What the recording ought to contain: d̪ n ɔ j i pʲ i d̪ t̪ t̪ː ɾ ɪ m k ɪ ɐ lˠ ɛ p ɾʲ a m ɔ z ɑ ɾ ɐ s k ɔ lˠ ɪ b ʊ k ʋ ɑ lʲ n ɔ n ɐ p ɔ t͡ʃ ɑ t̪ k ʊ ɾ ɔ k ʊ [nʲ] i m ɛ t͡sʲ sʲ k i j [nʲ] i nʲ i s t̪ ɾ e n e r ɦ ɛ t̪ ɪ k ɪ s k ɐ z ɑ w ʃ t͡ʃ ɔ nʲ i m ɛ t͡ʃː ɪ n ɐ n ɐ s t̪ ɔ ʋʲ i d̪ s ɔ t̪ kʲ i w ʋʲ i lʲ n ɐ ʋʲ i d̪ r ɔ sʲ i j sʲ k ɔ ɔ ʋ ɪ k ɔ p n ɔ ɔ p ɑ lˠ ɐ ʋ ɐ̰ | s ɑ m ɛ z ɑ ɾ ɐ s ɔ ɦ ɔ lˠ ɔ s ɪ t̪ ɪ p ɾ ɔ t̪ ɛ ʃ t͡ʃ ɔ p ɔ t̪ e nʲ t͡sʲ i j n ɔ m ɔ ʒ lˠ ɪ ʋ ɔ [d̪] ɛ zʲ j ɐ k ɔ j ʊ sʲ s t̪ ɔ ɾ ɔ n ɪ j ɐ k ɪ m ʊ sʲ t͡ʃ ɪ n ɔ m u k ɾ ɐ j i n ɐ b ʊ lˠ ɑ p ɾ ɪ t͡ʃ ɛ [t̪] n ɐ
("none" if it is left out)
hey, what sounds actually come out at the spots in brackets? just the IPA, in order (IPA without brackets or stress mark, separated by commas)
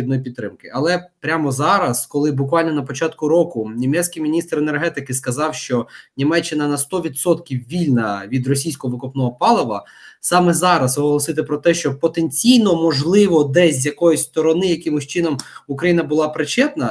nʲ, mʲ, d̪, t̪